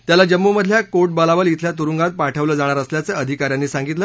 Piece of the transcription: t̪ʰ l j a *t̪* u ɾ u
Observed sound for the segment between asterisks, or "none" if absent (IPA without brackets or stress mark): t̪